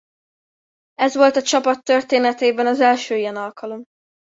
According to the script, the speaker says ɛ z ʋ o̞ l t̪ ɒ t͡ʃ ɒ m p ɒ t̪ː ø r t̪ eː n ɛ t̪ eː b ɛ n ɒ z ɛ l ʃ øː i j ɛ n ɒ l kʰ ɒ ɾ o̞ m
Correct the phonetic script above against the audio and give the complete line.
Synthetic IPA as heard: ɛ z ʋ o̞ l t̪ ɒ t͡ʃ ɒ p ɒ t̪ː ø r t̪ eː n ɛ t̪ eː b ɛ n ɒ z ɛ l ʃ øː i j ɛ n ɒ l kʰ ɒ l o̞ m